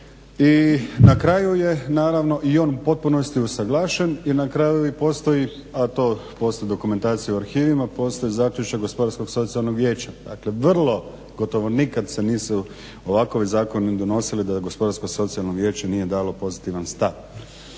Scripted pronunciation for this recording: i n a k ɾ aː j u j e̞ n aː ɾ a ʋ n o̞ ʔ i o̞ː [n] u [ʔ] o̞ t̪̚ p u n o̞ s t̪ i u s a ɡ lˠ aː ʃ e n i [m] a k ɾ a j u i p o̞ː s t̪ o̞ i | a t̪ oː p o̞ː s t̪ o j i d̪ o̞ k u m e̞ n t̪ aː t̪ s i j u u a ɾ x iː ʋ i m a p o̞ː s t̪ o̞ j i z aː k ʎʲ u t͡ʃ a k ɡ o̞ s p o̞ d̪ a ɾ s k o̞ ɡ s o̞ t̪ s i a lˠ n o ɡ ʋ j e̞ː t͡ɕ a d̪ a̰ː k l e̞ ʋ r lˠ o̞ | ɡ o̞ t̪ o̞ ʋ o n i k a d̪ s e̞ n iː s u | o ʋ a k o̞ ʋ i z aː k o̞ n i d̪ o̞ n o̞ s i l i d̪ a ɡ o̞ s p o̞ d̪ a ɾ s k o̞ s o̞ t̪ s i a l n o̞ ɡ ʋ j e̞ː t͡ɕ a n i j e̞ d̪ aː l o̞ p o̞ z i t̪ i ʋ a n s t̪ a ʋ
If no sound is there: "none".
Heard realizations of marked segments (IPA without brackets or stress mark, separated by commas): n, p, n